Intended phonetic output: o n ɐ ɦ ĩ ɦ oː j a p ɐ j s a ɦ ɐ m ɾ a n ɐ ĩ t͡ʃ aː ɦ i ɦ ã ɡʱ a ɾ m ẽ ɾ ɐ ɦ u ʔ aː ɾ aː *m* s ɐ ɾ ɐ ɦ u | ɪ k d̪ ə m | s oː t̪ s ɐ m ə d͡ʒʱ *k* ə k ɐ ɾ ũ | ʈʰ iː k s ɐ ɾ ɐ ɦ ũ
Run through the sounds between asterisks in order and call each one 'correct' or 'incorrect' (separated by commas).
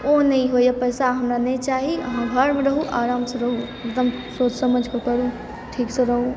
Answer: correct, correct